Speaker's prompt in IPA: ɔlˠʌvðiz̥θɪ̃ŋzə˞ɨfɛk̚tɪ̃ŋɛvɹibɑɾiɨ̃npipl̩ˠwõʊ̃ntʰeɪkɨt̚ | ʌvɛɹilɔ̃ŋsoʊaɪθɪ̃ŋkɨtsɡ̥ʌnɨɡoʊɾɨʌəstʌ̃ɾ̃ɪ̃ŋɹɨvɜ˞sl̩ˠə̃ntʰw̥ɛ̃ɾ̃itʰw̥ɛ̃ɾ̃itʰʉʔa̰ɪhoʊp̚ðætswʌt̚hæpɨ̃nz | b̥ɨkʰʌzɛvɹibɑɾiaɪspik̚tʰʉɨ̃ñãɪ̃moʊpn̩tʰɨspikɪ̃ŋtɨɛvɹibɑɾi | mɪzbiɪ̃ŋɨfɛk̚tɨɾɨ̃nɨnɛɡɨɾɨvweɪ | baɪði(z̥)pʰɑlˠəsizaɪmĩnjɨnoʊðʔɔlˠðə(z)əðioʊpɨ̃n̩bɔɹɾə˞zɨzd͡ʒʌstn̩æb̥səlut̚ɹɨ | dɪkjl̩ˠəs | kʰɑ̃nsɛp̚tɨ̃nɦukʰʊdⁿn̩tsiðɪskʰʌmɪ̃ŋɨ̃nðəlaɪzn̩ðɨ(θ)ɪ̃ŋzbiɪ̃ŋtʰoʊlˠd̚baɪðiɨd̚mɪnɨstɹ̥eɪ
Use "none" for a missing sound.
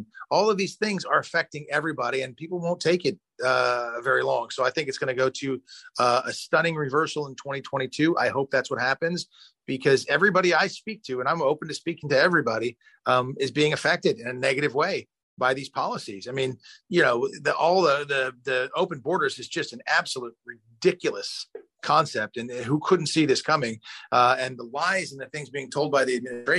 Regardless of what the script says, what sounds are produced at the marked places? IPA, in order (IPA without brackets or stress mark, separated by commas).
z̥, ð, θ